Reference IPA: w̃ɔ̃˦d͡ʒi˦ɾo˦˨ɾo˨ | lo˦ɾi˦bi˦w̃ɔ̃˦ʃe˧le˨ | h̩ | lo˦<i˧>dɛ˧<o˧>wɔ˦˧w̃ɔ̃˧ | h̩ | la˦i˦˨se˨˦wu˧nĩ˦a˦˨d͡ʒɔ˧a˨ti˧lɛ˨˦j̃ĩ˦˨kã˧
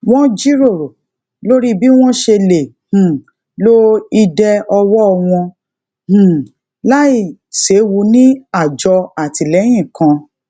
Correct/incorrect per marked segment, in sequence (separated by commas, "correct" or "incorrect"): correct, incorrect